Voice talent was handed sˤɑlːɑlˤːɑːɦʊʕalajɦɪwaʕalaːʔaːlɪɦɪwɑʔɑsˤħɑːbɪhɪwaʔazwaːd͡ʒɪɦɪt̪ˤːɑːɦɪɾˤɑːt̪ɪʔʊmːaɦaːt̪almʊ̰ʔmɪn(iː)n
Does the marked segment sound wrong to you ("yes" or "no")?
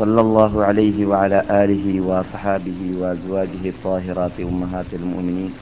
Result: no